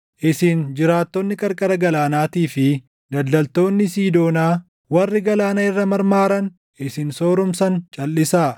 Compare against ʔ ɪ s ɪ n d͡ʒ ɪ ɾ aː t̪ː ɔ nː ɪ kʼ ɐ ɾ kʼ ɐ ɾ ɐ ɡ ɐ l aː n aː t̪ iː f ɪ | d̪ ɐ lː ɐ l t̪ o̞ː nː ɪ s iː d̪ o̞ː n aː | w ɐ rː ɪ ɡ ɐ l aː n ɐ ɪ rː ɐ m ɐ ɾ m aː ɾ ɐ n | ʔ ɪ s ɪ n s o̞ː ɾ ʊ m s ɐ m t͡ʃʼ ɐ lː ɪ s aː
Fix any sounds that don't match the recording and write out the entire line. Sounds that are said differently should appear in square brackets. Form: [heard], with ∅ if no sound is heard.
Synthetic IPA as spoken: ʔ ɪ s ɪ n d͡ʒ ɪ ɾ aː t̪ː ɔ nː ɪ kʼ ɐ ɾ kʼ ɐ ɾ ɐ ɡ ɐ l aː n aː t̪ iː f ɪ | d̪ ɐ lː ɐ l t̪ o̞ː nː ɪ s iː d̪ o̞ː n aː | w ɐ rː ɪ ɡ ɐ l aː n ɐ ɪ rː ɐ m ɐ ɾ m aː ɾ ɐ n | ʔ ɪ s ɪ n s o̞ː ɾ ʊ m s ɐ [n] t͡ʃʼ ɐ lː ɪ s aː